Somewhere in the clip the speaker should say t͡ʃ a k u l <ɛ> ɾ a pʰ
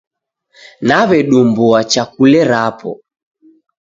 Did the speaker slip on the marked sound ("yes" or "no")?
no